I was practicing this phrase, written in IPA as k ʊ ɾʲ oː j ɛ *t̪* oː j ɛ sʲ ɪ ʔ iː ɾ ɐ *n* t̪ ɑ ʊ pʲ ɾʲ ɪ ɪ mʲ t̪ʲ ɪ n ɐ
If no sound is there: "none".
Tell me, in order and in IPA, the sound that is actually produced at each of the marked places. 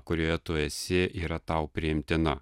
t̪, none

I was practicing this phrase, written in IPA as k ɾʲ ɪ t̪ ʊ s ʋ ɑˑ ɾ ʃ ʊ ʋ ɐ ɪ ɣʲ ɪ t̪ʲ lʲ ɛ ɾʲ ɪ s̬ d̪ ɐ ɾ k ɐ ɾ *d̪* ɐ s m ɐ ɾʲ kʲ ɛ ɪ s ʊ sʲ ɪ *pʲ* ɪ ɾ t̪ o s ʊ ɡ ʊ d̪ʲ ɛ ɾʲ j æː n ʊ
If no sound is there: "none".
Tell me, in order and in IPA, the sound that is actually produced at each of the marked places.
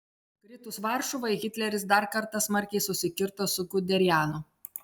t̪, kʲ

